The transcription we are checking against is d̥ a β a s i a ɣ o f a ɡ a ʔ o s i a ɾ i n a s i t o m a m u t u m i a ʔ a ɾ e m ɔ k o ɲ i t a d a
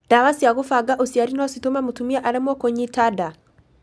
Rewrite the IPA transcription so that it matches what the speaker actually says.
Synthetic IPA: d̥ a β a s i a ɣ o f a ɡ a ʔ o s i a ɾ i n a s i t o m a m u t u m i a ʔ a ɾ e m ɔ k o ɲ i t a d a